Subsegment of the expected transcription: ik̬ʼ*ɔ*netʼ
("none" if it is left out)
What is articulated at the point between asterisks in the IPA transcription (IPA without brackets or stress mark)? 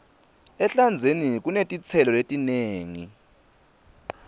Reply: u